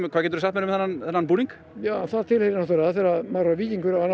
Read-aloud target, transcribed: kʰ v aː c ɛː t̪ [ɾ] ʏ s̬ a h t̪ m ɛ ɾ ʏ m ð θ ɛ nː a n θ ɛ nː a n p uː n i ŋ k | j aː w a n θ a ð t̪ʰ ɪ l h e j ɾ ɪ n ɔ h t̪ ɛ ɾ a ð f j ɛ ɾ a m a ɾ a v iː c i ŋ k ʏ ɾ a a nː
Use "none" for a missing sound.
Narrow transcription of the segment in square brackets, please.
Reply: ɾ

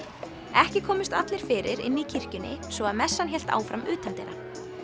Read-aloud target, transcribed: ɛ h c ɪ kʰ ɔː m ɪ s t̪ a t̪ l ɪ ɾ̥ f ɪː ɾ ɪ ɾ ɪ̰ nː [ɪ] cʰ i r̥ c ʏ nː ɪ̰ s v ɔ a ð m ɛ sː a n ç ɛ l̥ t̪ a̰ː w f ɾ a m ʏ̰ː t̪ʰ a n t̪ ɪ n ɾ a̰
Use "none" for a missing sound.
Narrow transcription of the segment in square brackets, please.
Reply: i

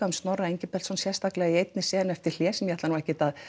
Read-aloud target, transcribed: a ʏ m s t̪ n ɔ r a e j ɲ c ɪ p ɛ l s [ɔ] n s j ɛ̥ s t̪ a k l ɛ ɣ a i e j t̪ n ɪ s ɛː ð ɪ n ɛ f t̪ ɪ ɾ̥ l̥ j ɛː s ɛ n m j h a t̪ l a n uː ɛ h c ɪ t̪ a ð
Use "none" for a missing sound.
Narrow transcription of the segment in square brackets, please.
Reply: ɔ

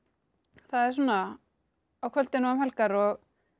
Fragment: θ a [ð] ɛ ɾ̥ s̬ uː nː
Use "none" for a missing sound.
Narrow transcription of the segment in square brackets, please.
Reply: ð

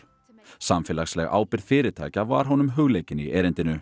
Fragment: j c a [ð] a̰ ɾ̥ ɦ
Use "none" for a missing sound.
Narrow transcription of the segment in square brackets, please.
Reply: v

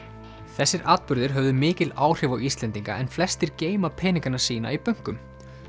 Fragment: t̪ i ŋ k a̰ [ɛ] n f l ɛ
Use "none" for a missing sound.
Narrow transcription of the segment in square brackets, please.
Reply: ɛ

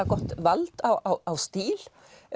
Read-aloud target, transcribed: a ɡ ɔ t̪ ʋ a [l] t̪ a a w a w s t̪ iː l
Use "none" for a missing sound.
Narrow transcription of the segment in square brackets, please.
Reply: l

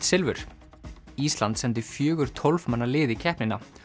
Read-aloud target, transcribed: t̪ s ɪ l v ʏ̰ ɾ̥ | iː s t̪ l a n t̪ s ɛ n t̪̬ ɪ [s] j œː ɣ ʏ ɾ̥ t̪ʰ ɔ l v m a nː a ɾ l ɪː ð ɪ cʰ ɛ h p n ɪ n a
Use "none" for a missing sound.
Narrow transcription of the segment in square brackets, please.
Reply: f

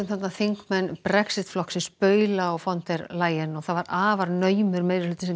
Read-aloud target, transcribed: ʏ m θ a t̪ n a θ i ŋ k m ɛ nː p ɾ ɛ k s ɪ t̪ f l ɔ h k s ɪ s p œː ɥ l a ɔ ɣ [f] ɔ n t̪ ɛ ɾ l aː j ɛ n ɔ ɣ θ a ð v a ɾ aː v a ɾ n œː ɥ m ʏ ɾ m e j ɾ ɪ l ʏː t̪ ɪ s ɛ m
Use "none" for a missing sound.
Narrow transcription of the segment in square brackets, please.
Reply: f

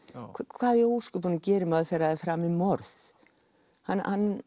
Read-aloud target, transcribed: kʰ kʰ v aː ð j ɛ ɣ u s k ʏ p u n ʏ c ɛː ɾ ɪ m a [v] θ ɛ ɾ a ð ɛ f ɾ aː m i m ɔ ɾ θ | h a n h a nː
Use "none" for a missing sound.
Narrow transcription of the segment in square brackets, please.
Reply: ð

